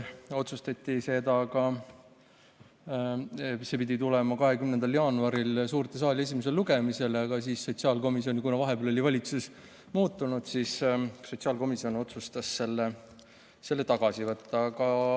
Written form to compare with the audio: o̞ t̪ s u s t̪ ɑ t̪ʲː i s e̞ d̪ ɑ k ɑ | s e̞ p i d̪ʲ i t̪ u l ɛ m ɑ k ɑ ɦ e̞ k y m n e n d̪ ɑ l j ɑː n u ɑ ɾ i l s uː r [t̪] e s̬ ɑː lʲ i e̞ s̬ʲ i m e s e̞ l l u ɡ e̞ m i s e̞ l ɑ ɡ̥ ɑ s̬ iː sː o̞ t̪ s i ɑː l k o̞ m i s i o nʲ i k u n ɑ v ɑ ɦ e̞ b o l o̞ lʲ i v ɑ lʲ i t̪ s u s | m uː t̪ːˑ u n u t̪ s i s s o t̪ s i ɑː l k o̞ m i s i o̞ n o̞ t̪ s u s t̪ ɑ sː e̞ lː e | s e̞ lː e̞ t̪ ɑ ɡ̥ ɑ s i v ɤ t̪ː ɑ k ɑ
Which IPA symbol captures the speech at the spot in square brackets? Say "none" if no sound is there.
t̪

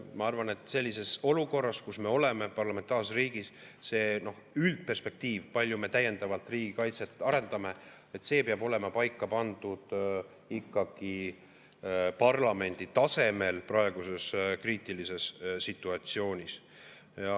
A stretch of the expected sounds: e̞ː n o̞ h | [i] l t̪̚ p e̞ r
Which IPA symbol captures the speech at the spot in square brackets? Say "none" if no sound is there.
y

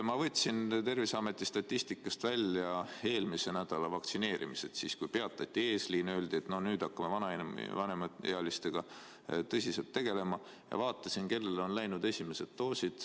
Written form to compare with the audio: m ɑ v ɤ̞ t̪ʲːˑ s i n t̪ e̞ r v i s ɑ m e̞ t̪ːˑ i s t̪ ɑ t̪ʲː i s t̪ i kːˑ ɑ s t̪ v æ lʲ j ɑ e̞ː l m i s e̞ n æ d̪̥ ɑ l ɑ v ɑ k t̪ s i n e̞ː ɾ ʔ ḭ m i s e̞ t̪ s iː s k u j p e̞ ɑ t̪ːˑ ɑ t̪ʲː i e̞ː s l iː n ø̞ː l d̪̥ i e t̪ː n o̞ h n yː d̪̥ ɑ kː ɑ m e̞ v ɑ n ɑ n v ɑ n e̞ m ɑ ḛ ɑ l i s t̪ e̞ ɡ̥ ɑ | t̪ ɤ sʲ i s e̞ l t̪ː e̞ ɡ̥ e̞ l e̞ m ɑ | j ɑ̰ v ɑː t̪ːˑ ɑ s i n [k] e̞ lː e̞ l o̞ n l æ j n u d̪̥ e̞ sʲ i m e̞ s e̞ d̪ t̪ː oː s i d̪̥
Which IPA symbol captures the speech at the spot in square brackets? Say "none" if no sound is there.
k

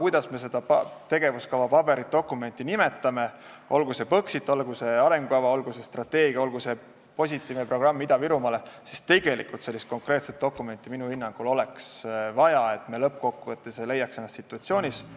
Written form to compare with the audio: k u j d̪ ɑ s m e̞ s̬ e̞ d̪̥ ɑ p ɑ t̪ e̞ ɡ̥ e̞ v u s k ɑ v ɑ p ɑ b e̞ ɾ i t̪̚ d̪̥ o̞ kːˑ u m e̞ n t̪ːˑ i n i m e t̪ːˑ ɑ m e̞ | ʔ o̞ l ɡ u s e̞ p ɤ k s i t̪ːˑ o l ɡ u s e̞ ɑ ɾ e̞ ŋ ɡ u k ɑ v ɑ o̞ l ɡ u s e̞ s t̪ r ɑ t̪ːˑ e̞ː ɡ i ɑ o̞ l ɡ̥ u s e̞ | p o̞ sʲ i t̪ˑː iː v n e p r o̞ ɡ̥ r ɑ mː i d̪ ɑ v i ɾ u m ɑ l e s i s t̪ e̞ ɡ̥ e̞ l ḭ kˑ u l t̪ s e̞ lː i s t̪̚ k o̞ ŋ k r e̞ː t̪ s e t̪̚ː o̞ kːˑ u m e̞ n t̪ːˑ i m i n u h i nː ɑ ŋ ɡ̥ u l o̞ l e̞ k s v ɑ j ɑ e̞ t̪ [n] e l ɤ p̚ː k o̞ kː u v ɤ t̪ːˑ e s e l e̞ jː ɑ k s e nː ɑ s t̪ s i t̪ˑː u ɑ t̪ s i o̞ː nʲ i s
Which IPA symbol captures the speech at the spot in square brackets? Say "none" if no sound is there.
m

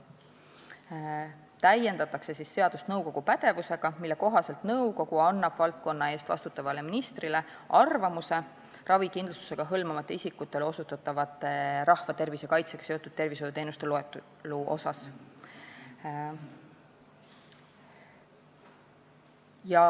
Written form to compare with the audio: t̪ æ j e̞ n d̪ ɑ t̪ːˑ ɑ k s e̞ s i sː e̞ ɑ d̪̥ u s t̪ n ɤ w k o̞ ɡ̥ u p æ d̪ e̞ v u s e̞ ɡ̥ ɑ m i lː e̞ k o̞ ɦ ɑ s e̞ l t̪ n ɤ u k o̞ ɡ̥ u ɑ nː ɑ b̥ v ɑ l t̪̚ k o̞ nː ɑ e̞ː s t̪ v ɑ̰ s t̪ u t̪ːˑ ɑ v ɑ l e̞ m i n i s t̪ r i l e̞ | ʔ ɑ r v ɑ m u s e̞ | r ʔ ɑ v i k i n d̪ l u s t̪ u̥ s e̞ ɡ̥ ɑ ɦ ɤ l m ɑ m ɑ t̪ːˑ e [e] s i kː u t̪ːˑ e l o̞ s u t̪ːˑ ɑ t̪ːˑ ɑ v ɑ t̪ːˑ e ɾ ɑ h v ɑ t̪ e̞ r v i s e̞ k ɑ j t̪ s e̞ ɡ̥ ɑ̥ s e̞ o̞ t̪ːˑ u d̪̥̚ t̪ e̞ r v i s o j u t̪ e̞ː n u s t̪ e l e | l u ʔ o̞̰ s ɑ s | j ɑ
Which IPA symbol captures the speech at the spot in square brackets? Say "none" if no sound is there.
i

